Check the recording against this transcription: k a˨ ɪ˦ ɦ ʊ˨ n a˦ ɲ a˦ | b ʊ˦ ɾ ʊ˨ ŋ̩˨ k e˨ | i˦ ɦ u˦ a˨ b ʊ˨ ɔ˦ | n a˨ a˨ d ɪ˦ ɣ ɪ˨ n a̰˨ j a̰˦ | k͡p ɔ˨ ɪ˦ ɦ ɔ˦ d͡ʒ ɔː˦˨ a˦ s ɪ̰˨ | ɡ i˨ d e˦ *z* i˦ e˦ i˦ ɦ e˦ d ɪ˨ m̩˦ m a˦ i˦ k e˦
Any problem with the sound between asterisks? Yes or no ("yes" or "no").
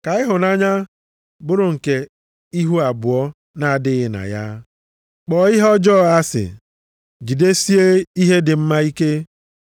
yes